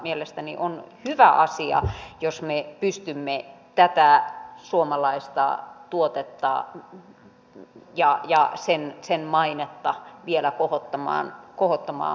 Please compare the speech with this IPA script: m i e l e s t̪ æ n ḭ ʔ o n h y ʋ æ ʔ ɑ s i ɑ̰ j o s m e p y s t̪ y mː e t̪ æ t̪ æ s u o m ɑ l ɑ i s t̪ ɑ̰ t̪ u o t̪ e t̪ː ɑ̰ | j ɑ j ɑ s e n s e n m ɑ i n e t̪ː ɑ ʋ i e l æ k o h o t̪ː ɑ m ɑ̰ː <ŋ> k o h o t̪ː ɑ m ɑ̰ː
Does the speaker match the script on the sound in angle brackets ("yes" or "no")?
no